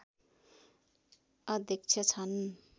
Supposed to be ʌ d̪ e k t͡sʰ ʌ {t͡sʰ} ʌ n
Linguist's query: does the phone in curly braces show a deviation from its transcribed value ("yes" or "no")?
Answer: no